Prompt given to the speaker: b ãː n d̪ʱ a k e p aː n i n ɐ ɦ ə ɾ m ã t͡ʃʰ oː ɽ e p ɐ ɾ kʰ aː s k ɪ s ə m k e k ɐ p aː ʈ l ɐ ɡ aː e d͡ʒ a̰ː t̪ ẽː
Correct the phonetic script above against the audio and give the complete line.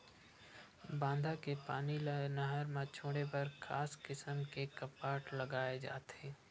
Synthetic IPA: b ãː n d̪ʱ a k e p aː n i n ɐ ɦ ə ɾ m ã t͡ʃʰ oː ɽ e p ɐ ɾ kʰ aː s k ɪ s ə m k e k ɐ p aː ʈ l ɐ ɡ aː e d͡ʒ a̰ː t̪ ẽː